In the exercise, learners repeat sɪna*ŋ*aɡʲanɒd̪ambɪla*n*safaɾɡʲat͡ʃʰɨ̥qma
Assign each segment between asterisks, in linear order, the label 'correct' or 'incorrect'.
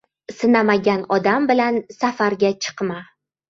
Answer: incorrect, correct

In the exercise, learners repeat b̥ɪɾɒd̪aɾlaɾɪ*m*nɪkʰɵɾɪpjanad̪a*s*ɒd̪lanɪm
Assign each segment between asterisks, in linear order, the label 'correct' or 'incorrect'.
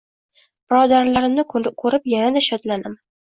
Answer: correct, incorrect

